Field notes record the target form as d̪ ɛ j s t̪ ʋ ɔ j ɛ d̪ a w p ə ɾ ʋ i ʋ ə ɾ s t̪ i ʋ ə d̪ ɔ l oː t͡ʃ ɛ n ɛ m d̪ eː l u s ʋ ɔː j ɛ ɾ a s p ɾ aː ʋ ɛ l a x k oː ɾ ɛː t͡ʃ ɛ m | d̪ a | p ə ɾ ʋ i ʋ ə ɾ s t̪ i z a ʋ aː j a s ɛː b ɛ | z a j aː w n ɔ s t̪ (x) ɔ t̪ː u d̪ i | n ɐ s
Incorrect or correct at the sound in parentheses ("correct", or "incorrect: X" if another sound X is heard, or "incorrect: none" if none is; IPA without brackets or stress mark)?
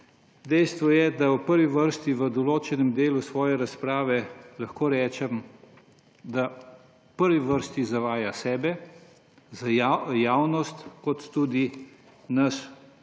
incorrect: k